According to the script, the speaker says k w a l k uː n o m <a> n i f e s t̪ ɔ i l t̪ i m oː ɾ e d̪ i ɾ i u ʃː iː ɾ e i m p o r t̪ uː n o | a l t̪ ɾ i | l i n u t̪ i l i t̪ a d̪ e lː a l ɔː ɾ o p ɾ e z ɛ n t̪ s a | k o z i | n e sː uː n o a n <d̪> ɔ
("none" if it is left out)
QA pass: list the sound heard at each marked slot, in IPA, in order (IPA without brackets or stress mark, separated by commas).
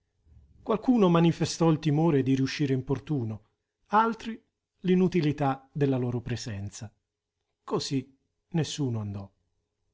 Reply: a, d̪